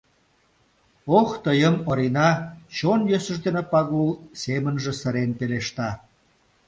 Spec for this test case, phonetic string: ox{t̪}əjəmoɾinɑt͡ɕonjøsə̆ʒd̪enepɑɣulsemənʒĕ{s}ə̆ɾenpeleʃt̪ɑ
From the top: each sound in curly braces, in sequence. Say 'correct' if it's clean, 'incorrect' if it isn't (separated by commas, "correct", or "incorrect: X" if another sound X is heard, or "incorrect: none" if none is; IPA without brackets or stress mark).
correct, correct